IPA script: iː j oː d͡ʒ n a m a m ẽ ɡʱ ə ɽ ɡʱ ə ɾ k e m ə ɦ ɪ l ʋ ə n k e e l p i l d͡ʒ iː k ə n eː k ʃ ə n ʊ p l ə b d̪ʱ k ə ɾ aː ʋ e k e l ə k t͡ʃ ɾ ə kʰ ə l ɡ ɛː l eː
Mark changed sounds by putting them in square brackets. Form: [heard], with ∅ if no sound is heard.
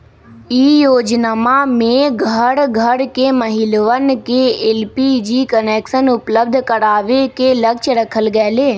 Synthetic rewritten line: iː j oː d͡ʒ n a m a m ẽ ɡʱ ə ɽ ɡʱ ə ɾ k e m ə ɦ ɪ l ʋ ə n k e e l p i [∅] d͡ʒ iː k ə n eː k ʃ ə n ʊ p l ə b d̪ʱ k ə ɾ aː ʋ e k e l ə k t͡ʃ ɾ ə kʰ ə l ɡ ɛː l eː